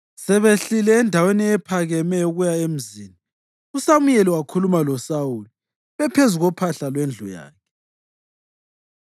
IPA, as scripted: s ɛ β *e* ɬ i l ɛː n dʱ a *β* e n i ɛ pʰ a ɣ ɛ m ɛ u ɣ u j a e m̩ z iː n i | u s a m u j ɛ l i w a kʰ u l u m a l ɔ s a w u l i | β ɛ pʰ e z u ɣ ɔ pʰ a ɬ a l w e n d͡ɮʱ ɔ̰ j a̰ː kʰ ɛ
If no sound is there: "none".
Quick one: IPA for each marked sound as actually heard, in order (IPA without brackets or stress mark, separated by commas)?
e, w